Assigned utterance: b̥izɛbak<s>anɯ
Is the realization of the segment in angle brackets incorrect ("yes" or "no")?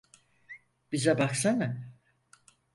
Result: no